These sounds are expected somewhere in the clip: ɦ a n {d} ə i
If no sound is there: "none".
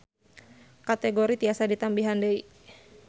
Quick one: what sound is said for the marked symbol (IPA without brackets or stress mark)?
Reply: d